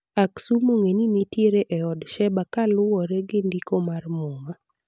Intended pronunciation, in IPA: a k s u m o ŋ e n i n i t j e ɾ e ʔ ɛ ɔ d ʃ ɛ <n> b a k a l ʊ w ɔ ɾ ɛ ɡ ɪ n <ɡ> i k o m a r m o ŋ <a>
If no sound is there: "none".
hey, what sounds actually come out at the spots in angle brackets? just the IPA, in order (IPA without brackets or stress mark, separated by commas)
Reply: none, d, a